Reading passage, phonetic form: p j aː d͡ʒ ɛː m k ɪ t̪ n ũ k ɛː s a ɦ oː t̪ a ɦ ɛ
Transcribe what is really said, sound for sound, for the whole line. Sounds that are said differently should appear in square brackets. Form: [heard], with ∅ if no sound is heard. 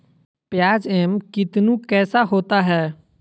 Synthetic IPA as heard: p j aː d͡ʒ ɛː m k ɪ t̪ n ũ k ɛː s a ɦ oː t̪ a ɦ [ɛː]